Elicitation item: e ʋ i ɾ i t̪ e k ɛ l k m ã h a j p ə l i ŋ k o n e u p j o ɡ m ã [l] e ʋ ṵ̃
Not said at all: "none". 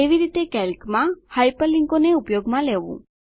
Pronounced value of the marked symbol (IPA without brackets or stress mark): l